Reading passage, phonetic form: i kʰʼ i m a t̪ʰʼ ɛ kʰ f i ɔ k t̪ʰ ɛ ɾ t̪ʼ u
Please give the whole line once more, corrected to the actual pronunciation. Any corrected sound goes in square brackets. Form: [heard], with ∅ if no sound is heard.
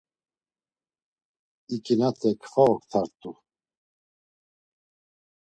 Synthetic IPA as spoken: i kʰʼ i [n] a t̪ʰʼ ɛ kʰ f [a] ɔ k t̪ʰ [a] ɾ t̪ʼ u